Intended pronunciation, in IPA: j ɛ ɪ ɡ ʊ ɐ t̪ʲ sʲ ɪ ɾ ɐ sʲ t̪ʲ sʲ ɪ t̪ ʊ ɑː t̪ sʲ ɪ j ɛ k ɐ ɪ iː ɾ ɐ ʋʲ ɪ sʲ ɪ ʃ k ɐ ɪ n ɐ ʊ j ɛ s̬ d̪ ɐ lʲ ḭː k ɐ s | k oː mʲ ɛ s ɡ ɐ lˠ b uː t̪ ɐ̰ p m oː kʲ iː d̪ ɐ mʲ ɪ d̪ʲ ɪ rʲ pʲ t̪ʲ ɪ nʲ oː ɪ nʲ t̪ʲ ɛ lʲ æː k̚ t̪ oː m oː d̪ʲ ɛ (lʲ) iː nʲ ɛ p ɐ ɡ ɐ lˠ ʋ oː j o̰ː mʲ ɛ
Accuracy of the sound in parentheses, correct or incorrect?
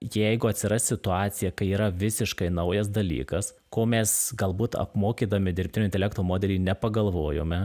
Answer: correct